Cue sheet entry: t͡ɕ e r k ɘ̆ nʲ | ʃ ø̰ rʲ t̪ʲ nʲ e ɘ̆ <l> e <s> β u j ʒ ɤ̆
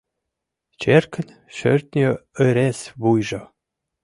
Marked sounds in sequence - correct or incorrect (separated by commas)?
incorrect, correct